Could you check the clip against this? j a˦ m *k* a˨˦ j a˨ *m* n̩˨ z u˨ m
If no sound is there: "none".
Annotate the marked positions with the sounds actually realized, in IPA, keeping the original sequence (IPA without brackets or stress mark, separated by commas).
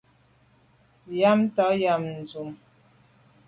t, m